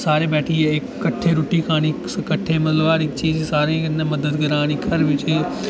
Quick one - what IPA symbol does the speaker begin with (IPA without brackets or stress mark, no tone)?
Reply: s